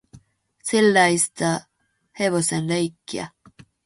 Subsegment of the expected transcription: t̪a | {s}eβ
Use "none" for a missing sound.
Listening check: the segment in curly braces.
h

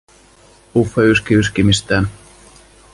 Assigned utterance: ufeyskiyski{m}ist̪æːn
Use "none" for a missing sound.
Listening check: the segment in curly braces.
m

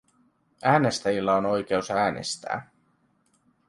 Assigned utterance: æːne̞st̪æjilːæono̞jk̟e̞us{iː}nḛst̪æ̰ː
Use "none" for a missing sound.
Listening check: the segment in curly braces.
æː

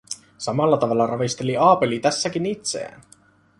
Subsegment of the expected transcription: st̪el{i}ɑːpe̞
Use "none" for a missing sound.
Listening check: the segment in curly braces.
i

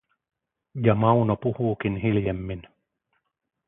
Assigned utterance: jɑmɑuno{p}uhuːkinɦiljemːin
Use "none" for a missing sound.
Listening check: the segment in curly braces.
p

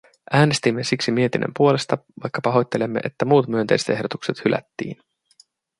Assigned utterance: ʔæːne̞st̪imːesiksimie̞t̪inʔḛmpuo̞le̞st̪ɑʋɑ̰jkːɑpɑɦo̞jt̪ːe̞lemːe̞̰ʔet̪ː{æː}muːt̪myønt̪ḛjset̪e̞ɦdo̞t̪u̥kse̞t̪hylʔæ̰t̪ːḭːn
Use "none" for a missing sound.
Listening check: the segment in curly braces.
æ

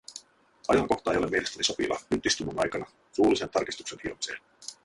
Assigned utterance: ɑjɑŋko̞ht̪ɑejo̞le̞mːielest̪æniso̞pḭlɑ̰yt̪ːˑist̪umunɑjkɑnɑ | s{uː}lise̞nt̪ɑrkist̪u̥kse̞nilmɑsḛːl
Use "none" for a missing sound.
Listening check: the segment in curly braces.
uː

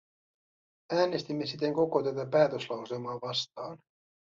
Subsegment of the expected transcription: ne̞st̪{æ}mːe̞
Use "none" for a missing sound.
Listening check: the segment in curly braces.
i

